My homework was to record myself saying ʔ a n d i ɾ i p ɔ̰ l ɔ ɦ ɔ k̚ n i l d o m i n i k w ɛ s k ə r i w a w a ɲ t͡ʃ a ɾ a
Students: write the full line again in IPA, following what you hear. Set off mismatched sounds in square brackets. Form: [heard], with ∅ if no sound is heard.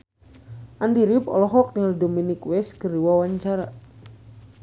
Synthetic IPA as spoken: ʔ a n d i ɾ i p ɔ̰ l ɔ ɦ ɔ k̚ n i l d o m i n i k w ɛ s k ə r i w a w a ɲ t͡ʃ a ɾ a

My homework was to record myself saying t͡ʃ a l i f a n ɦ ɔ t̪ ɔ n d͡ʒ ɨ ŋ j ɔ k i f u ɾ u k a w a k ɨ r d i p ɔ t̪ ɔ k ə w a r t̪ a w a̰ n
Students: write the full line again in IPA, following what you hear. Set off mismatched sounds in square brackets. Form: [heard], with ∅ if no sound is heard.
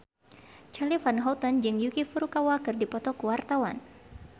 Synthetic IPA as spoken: t͡ʃ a l i f a n ɦ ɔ t̪ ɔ n d͡ʒ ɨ ŋ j [u] k i f u ɾ u k a w a k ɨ r d i p ɔ t̪ ɔ k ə w a r t̪ a w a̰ n

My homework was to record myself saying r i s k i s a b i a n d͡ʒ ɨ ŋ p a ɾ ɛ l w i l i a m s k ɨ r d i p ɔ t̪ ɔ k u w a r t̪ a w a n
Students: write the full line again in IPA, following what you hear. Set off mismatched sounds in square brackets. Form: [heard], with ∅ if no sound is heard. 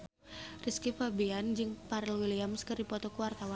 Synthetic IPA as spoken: r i s k i [f] a b i a n d͡ʒ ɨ ŋ p a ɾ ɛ l w i l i a m s k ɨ r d i p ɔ t̪ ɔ k u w a r t̪ a w a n

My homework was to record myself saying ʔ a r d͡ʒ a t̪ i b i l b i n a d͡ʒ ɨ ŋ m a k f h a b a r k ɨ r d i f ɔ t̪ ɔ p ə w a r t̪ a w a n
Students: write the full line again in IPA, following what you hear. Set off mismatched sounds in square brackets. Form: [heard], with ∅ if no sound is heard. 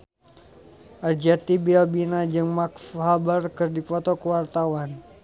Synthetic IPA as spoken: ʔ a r d͡ʒ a t̪ i b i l b i n a d͡ʒ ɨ ŋ m a k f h a b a r k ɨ r d i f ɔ t̪ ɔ [k] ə w a r t̪ a w a n

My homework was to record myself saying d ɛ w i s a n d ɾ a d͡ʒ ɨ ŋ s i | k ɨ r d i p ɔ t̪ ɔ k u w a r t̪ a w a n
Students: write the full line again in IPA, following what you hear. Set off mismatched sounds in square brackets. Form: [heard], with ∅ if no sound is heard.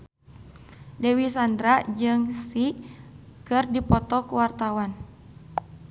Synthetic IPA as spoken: d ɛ w i s a n d ɾ a d͡ʒ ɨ ŋ s i | k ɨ r d i p ɔ t̪ ɔ k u w a r t̪ a w a n

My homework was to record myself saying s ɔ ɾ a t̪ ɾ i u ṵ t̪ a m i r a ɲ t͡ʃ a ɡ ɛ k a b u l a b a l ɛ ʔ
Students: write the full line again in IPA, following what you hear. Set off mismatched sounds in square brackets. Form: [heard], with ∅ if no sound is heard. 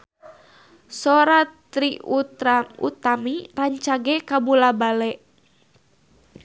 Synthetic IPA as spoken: s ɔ ɾ a t̪ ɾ i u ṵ t̪ a m i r a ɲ t͡ʃ a ɡ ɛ k a b u l a b a l ɛ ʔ

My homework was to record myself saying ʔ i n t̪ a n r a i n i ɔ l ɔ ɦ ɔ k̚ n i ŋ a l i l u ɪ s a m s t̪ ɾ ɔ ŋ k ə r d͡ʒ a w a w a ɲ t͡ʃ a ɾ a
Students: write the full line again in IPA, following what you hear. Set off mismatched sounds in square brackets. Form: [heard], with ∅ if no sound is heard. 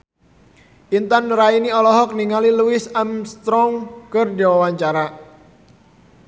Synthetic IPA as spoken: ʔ i n t̪ a n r a i n i ɔ l ɔ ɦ ɔ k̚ n i ŋ a l i l u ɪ s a m s t̪ ɾ ɔ ŋ k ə r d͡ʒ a w a w a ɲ t͡ʃ a ɾ a

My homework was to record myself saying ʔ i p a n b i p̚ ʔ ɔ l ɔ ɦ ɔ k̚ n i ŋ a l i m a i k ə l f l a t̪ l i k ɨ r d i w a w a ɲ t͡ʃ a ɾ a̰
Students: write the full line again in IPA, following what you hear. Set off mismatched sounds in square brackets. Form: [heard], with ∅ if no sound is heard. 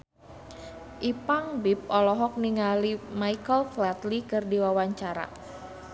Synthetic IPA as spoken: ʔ i p a [ŋ] b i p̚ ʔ ɔ l ɔ ɦ ɔ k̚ n i ŋ a l i m a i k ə l f l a t̪ l i k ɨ r d i w a w a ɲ t͡ʃ a ɾ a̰

